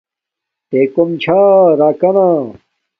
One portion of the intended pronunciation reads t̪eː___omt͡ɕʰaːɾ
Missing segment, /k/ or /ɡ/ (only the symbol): k